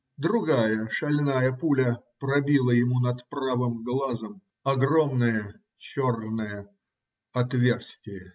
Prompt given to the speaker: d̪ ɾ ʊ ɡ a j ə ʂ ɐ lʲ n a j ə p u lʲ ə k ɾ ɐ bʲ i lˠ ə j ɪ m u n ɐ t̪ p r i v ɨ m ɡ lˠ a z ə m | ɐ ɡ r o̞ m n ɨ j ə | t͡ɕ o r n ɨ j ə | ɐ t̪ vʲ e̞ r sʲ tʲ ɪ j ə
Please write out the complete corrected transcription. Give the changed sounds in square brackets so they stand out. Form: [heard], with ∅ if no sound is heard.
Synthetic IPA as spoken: d̪ ɾ ʊ ɡ a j ə ʂ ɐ lʲ n a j ə p u lʲ ə [p] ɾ ɐ bʲ i lˠ ə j ɪ m u n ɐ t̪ p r [a] v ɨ m ɡ lˠ a z ə m | ɐ ɡ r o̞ m n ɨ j ə | t͡ɕ o r n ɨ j ə | ɐ t̪ vʲ e̞ r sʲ tʲ ɪ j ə

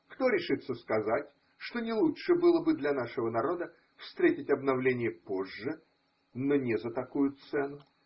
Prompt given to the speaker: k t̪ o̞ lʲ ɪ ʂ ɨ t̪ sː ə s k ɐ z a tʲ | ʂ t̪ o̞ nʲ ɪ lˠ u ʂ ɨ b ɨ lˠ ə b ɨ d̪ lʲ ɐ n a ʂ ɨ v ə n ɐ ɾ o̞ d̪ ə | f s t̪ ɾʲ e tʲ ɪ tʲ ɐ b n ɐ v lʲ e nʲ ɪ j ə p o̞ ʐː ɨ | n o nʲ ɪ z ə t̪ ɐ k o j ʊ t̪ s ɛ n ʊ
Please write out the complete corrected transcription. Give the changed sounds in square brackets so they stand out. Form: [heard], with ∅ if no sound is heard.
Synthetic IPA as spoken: k t̪ o̞ [ɾʲ] ɪ ʂ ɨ t̪ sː ə s k ɐ z a tʲ | ʂ t̪ o̞ nʲ ɪ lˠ u ʂ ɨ b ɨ lˠ ə b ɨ d̪ lʲ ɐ n a ʂ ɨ v ə n ɐ ɾ o̞ d̪ ə | f s t̪ ɾʲ e tʲ ɪ tʲ ɐ b n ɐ v lʲ e nʲ ɪ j ə p o̞ ʐː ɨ | n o nʲ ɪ z ə t̪ ɐ k [u] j ʊ t̪ s ɛ n ʊ

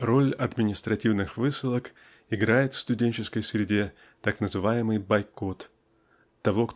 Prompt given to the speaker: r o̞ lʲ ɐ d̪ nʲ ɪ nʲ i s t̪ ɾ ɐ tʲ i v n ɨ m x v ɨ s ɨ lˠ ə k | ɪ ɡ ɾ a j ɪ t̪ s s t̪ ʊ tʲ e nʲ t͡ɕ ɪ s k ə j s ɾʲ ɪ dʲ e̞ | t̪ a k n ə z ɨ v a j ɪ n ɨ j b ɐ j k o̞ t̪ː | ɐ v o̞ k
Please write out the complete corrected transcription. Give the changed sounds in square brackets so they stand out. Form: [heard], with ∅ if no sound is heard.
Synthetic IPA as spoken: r o̞ lʲ ɐ d̪ [mʲ] ɪ nʲ [ɪ] s t̪ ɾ ɐ tʲ i v n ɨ [∅] x v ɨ s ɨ lˠ ə k | ɪ ɡ ɾ a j ɪ t̪ [f] s t̪ ʊ [dʲ] e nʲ t͡ɕ ɪ s k ə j s ɾʲ ɪ dʲ e̞ | t̪ a k n ə z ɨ v a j ɪ [m] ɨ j b ɐ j k o̞ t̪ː | ɐ v o̞ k

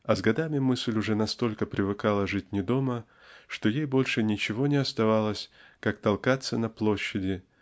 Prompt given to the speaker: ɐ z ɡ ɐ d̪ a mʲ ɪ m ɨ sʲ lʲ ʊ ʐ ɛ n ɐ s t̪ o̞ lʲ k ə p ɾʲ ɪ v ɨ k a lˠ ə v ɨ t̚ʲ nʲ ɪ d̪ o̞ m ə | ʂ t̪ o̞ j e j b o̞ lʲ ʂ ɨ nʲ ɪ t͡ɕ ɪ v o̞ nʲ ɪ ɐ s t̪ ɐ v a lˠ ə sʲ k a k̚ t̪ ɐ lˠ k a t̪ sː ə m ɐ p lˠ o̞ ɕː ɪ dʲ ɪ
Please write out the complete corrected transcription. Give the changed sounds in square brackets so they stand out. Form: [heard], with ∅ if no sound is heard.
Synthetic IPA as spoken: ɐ z ɡ ɐ d̪ a mʲ ɪ m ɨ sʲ lʲ ʊ ʐ ɛ n ɐ s t̪ o̞ lʲ k ə p ɾʲ ɪ v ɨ k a lˠ ə [ʐ] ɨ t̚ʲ nʲ ɪ d̪ o̞ m ə | ʂ t̪ o̞ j e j b o̞ lʲ ʂ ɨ nʲ ɪ t͡ɕ ɪ v o̞ nʲ ɪ ɐ s t̪ ɐ v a lˠ ə sʲ k a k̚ t̪ ɐ lˠ k a t̪ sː ə [n] ɐ p lˠ o̞ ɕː ɪ dʲ ɪ

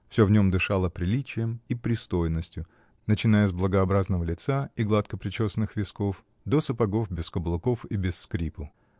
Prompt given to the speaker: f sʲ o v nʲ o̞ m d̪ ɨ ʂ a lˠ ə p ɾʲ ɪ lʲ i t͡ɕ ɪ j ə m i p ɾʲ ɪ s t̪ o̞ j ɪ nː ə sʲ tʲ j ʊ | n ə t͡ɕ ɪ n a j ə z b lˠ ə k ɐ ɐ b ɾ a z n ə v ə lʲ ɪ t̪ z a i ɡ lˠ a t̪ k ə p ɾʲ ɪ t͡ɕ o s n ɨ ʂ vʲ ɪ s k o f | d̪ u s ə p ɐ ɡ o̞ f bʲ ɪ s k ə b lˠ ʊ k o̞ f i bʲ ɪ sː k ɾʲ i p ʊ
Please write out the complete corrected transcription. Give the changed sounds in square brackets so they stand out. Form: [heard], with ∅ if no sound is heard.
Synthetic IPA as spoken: f sʲ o v nʲ o̞ m d̪ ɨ ʂ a lˠ ə p ɾʲ ɪ lʲ i t͡ɕ ɪ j ə m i p ɾʲ ɪ s t̪ o̞ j ɪ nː ə sʲ tʲ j ʊ | n ə t͡ɕ ɪ n a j ə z b lˠ ə [ɡ] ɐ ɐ b ɾ a z n ə v ə lʲ ɪ t̪ [s] a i ɡ lˠ a t̪ k ə p ɾʲ ɪ t͡ɕ o s n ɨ [x] vʲ ɪ s k o f | d̪ [o] s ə p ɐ ɡ o̞ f bʲ ɪ s k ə b lˠ ʊ k o̞ f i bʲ ɪ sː k ɾʲ i p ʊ

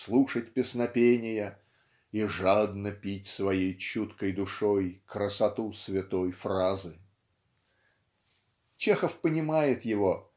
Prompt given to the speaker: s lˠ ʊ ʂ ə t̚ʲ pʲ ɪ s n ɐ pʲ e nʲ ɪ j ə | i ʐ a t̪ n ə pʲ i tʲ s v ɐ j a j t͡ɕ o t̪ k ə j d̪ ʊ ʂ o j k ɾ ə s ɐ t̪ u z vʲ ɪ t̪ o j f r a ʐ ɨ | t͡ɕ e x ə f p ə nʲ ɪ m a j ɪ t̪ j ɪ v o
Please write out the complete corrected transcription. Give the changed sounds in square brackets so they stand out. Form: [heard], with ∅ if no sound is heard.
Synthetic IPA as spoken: s lˠ [u] ʂ ə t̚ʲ pʲ ɪ s n ɐ pʲ e nʲ ɪ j ə | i ʐ a [d̪] n ə pʲ i tʲ s v ɐ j [e] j t͡ɕ [u] t̪ k ə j d̪ ʊ ʂ o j k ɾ ə s ɐ t̪ u [s] vʲ ɪ t̪ o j f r a [z] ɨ | t͡ɕ e x ə f p ə nʲ ɪ m a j ɪ t̪ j ɪ v o

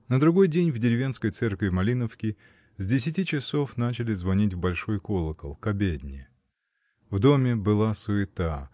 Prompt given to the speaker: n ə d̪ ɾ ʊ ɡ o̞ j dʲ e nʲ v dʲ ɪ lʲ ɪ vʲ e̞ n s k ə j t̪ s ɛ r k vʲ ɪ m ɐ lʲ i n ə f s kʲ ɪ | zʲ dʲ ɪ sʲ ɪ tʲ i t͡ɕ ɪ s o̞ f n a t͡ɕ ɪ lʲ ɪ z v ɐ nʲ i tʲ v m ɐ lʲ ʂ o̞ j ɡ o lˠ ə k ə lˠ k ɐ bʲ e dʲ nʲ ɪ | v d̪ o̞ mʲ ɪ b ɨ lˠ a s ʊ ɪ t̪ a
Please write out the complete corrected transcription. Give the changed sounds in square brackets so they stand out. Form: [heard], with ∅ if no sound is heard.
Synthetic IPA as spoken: n ə d̪ ɾ ʊ ɡ o̞ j dʲ e nʲ v dʲ ɪ [ɾʲ] ɪ vʲ e̞ n s k ə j t̪ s ɛ r k vʲ ɪ m ɐ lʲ i n ə f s kʲ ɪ | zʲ dʲ ɪ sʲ ɪ tʲ i t͡ɕ ɪ s o̞ f n a t͡ɕ ɪ lʲ ɪ z v ɐ nʲ i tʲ v [b] ɐ lʲ ʂ o̞ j [k] o lˠ ə k ə lˠ k ɐ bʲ e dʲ nʲ ɪ | v d̪ o̞ mʲ ɪ b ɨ lˠ a s ʊ ɪ t̪ a

